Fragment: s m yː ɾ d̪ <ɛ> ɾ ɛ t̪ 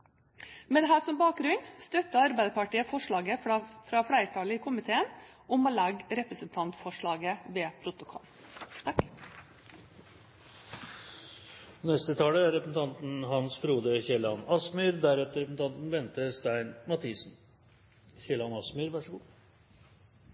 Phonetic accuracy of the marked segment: incorrect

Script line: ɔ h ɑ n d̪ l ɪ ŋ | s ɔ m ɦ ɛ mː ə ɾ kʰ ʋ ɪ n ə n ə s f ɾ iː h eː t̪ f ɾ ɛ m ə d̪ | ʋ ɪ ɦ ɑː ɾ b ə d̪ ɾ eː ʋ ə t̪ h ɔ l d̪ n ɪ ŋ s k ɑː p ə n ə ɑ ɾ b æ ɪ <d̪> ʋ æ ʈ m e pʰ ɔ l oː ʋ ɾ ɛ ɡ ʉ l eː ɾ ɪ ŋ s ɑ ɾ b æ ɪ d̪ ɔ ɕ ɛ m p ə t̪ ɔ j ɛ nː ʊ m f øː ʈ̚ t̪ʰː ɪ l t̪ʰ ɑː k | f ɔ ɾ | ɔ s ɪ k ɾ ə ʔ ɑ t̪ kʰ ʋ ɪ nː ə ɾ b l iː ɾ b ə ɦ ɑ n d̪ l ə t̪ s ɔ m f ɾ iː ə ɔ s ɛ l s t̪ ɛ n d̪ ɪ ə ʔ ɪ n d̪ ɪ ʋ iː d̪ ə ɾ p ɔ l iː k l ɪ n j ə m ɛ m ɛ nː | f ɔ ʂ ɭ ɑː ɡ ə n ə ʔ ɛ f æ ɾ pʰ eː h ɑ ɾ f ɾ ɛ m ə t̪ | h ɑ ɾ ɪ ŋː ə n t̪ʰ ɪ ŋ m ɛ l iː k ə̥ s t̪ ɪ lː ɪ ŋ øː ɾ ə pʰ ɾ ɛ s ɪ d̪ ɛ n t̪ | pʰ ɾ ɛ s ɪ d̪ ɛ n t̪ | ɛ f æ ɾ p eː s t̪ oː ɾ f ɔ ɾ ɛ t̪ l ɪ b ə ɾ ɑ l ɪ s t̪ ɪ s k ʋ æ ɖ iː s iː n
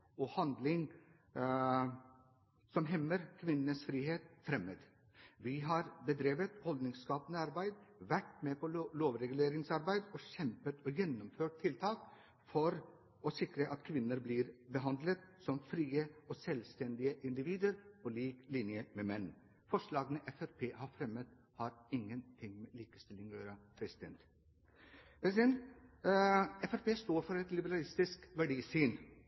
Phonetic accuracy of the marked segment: correct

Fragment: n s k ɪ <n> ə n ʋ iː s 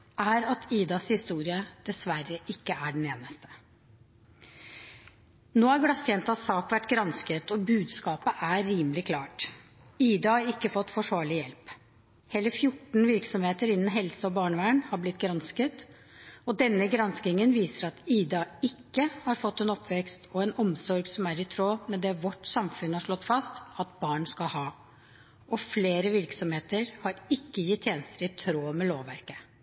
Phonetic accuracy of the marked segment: incorrect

